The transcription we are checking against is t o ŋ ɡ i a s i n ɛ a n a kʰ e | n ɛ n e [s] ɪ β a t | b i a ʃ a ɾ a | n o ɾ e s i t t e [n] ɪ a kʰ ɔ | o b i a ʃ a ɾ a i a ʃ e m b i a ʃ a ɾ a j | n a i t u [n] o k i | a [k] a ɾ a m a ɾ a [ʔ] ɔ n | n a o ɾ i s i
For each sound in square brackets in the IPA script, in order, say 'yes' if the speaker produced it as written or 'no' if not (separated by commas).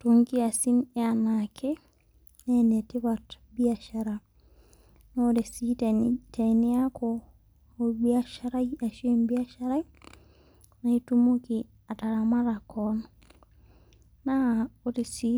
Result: no, yes, no, no, no